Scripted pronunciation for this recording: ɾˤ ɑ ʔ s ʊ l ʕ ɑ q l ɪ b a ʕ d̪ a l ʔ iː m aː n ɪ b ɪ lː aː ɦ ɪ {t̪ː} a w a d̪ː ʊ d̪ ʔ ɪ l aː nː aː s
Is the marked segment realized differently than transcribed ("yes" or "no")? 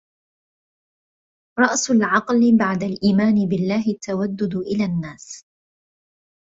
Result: no